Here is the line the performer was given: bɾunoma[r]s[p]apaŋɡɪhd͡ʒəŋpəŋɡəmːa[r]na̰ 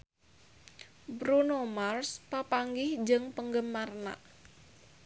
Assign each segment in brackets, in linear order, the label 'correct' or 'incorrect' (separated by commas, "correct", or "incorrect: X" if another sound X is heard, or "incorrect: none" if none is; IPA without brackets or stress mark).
correct, correct, correct